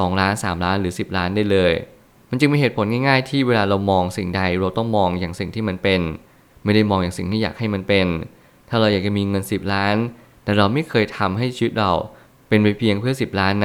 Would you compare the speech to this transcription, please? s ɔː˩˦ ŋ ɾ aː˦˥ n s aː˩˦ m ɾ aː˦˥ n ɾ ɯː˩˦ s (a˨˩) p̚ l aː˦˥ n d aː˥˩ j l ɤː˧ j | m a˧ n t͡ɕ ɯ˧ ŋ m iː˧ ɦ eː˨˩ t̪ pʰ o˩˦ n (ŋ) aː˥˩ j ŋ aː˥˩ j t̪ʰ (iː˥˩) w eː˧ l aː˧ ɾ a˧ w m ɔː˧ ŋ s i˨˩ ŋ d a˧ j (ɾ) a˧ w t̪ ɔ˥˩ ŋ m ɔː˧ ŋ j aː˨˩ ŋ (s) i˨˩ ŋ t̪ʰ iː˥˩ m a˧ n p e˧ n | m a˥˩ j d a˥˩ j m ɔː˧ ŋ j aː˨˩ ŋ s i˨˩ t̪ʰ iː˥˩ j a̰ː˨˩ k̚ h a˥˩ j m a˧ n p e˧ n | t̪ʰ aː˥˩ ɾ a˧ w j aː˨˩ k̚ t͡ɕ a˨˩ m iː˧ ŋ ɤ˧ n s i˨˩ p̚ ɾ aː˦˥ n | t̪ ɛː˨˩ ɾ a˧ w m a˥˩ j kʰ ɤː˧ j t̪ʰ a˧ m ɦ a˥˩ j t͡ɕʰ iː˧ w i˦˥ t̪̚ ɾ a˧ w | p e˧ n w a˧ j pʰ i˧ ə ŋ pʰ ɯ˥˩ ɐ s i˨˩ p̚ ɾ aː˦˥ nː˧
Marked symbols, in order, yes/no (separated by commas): no, yes, yes, yes, yes